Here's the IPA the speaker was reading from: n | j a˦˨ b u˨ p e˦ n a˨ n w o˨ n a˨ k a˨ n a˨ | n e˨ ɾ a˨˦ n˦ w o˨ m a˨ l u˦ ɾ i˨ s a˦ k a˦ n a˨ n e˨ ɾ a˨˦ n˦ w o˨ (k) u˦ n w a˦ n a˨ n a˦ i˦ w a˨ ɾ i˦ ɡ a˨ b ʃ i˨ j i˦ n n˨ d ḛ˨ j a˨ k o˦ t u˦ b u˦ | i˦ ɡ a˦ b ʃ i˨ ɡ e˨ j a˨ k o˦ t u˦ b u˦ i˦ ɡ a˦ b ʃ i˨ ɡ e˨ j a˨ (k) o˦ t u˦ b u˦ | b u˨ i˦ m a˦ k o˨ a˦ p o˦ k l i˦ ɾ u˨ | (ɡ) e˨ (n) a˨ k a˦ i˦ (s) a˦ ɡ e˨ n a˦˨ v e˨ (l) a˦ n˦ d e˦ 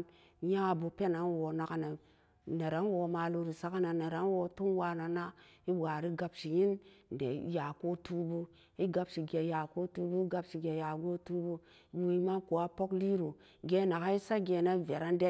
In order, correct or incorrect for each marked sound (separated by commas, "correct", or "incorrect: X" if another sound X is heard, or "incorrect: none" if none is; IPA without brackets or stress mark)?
incorrect: t, incorrect: ɡ, correct, correct, correct, incorrect: ɾ